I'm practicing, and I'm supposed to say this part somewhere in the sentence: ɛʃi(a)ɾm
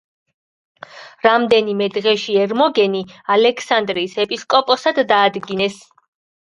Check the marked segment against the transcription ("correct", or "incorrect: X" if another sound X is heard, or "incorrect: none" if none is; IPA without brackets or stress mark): incorrect: ɛ